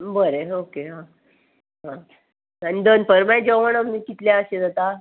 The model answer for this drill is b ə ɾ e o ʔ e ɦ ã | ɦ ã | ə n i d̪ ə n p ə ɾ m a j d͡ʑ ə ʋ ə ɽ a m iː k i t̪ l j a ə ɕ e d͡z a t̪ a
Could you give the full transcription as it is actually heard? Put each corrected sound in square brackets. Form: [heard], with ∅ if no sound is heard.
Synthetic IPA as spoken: b ə ɾ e o [k] e ɦ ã | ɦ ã | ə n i d̪ ə n p ə ɾ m a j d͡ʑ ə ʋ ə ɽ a m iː k i t̪ l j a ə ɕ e d͡z a t̪ a